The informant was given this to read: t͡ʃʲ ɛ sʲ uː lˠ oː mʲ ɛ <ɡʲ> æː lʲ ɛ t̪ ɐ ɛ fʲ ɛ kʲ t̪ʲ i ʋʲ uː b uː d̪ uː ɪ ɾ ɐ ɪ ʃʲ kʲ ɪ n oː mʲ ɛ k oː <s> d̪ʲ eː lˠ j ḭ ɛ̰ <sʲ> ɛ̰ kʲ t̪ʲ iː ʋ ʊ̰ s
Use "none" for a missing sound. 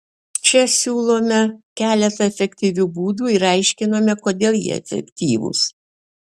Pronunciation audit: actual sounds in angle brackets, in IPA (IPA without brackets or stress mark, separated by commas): kʲ, none, fʲ